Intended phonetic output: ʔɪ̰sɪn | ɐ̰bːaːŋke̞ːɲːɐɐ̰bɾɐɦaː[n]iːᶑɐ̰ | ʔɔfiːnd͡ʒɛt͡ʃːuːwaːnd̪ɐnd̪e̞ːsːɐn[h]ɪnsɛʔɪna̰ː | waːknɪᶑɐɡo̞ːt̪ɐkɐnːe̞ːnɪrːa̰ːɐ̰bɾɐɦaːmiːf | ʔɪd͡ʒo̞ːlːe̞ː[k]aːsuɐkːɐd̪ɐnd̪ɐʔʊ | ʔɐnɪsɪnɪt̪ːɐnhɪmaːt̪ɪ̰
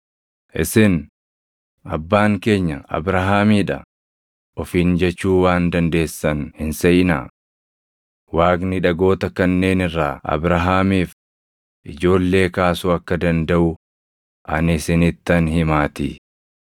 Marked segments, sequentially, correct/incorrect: incorrect, correct, correct

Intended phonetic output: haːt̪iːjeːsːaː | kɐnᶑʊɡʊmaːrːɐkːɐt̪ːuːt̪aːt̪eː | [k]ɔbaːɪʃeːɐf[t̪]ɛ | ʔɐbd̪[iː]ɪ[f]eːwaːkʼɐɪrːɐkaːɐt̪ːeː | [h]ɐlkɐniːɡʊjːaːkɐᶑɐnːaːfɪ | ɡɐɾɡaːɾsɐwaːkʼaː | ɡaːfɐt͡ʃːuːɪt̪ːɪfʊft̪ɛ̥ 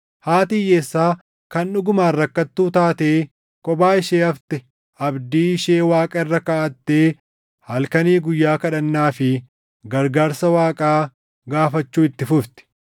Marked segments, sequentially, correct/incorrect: incorrect, correct, correct, incorrect, correct

